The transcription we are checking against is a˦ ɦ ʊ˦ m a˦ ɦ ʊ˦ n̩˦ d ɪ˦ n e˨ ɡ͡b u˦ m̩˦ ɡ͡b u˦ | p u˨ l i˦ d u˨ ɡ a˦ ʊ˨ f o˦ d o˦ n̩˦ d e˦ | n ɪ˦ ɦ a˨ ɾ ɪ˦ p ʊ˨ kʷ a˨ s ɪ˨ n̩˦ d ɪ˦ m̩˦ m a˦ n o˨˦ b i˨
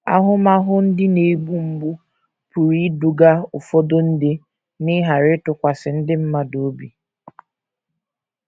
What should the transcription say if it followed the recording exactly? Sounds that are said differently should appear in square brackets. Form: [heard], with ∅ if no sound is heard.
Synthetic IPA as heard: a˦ ɦ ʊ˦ m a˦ ɦ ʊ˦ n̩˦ d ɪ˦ n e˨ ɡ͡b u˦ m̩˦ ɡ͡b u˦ | p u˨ [ɾ] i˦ d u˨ ɡ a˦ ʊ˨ f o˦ d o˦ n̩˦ d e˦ | n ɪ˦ ɦ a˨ ɾ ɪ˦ [t] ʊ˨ kʷ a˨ s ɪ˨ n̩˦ d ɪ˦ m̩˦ m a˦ [d] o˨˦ b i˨